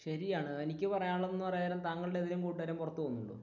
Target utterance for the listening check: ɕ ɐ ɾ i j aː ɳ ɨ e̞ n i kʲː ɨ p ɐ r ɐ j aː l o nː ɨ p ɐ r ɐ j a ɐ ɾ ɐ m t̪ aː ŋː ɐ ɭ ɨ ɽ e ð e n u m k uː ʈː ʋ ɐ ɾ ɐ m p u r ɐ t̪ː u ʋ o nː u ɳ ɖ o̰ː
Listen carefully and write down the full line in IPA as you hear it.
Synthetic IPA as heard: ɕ ɐ ɾ i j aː ɳ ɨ e̞ n i kʲː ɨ p ɐ r ɐ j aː ɭ o nː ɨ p ɐ r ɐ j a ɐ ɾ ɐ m t̪ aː ŋː ɐ ɭ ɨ ɽ e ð i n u m k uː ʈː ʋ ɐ ɾ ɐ m p u r ɐ t̪ː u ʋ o nː u ɳ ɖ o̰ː